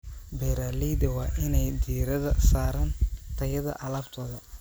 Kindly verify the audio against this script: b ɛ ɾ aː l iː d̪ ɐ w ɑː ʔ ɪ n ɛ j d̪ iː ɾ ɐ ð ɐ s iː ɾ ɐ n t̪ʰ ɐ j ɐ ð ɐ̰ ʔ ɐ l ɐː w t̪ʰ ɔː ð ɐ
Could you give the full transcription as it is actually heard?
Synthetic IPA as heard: b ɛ ɾ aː l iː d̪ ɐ w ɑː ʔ ɪ n ɛ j d̪ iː ɾ ɐ ð ɐ s aː ɾ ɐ n t̪ʰ ɐ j ɐ ð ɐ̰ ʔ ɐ l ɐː b t̪ʰ ɔː ð ɐ